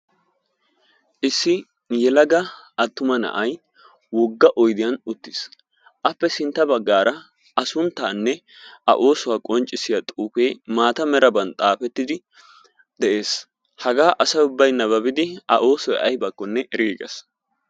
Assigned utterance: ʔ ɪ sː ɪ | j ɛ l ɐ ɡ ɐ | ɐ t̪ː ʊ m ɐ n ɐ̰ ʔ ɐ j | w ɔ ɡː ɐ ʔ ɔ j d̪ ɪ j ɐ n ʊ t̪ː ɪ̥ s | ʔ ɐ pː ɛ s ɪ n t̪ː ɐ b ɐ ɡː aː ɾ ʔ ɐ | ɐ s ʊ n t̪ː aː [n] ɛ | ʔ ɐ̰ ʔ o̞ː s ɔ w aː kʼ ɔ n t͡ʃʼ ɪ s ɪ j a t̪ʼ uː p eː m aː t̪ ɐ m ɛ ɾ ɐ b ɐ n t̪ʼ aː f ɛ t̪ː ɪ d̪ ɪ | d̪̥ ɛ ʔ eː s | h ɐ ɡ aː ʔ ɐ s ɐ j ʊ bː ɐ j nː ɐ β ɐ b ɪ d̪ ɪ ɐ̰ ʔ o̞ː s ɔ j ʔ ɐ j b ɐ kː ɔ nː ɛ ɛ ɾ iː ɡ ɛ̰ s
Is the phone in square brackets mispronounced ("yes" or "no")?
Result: yes